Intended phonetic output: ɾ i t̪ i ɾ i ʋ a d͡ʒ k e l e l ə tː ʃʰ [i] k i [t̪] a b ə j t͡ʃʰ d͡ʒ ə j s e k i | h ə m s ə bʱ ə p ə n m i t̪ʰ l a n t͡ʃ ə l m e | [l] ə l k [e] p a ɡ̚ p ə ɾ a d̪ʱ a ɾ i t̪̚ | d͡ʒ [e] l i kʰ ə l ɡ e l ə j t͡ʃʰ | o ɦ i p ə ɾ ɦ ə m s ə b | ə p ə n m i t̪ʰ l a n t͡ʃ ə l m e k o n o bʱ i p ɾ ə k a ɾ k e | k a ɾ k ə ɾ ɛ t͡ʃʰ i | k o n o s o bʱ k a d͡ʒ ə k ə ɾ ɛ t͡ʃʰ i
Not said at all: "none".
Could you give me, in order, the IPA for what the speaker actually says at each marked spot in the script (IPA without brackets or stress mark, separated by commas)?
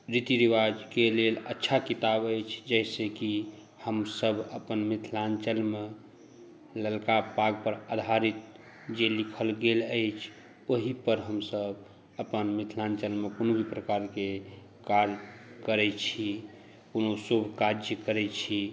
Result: a, t̪, l, a, e